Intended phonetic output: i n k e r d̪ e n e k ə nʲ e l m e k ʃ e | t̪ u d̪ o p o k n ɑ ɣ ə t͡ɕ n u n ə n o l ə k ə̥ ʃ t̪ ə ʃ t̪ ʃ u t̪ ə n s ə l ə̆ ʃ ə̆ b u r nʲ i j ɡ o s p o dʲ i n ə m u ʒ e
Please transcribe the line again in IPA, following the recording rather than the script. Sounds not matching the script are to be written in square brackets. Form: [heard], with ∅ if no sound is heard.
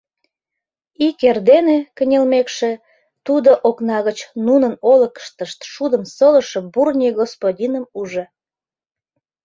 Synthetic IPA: i [∅] k e r d̪ e n e k ə nʲ e l m e k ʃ e | t̪ u d̪ o [ʔ] o k n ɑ ɣ ə t͡ɕ n u n ə n o l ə k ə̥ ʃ t̪ ə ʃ t̪ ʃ u [d̪] ə [m] s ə l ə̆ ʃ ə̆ b u r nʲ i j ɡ o s p o dʲ i n ə m u ʒ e